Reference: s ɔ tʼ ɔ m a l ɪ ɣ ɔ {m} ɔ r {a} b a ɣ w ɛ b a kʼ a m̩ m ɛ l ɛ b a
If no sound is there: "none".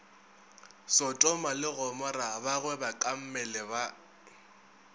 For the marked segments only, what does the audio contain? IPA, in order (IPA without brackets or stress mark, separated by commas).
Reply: m, a